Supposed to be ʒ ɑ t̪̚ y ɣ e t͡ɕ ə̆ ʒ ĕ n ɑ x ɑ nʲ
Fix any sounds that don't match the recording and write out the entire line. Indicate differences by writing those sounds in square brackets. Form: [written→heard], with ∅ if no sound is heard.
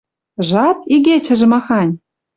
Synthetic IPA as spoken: ʒ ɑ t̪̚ [y→i] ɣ e t͡ɕ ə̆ ʒ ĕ [n→m] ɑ x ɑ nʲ